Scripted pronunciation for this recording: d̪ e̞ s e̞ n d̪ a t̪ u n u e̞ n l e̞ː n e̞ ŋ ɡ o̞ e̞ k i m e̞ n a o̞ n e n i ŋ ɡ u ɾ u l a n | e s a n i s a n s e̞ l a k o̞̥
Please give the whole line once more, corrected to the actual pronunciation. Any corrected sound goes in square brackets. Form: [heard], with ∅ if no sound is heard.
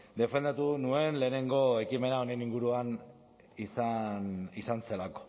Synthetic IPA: d̪ e̞ [f] e̞ n d̪ a t̪ u n u e̞ n l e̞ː n e̞ ŋ ɡ o̞ e̞ k i m e̞ n a o̞ n e n i ŋ ɡ u ɾ u [∅] a n | [i] s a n i s a n s e̞ l a k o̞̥